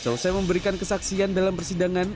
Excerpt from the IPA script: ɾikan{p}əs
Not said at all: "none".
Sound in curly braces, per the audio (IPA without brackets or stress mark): k